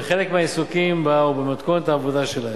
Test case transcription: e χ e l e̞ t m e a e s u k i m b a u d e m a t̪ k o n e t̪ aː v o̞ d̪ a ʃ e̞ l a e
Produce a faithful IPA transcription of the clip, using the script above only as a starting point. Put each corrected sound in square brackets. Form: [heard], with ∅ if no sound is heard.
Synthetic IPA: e χ e l e̞ [k] m e a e s u k i m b a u [b] e m a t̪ k o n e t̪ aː v o̞ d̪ a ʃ e̞ l a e